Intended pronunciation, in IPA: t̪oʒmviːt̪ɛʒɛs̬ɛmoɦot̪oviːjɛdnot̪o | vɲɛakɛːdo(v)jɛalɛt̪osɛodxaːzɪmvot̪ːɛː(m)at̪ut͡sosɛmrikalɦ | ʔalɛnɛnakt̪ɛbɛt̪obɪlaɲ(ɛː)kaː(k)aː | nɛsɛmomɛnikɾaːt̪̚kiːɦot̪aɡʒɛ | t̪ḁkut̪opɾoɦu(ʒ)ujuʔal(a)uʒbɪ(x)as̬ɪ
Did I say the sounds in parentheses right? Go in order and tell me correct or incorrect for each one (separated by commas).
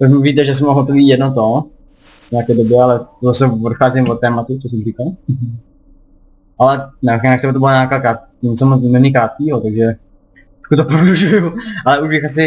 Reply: incorrect, correct, incorrect, correct, correct, incorrect, correct